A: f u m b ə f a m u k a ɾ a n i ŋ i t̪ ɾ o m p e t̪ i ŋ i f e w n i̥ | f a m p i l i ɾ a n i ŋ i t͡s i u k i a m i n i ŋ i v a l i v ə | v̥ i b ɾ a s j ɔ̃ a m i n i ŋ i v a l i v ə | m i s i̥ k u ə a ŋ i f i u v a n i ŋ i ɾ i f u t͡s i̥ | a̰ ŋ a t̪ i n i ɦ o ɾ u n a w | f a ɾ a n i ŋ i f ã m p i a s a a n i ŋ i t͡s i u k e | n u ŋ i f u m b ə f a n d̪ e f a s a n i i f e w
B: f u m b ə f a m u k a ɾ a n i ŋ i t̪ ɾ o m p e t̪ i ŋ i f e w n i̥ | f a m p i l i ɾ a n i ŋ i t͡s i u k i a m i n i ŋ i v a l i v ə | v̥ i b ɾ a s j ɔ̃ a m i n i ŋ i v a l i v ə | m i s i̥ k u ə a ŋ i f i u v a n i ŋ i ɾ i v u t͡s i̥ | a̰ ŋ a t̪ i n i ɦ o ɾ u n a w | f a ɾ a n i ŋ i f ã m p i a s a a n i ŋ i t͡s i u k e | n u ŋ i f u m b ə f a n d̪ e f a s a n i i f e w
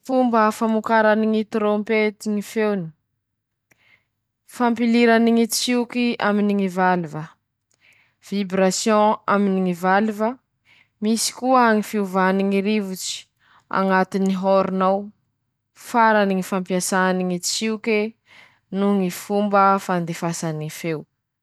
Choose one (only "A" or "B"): B